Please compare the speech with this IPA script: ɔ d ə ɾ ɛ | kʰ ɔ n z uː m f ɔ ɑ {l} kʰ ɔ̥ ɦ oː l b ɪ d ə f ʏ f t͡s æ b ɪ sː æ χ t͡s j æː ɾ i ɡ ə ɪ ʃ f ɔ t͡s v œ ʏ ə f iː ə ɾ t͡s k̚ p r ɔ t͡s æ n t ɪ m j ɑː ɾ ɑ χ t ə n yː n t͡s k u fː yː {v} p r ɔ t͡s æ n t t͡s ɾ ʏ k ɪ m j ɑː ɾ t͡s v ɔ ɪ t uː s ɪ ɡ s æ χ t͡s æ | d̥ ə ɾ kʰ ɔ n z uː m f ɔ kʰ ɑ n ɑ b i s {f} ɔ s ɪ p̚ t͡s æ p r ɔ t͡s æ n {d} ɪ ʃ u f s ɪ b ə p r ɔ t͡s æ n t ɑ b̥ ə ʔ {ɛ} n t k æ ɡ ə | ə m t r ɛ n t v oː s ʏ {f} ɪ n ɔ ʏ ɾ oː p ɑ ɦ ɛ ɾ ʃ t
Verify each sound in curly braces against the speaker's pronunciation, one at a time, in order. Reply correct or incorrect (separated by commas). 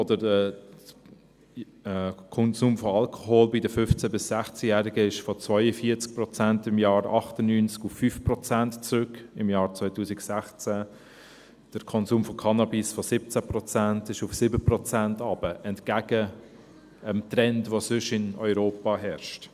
correct, incorrect, correct, incorrect, correct, incorrect